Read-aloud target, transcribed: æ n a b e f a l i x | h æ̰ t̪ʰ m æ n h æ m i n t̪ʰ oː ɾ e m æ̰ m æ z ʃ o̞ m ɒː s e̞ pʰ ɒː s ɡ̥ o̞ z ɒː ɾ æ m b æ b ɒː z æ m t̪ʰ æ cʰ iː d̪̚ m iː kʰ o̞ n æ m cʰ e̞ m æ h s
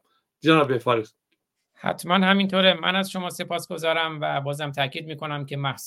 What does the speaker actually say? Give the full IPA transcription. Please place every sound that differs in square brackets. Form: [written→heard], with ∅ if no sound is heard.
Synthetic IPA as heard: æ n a b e f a [l→ɾ] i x | h æ̰ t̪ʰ m æ n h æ m i n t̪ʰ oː ɾ e m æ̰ [m→n] æ z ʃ o̞ m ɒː s e̞ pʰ ɒː s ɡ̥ o̞ z ɒː ɾ æ m [b→v] æ b ɒː z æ m t̪ʰ æ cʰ iː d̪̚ m iː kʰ o̞ n æ m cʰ e̞ m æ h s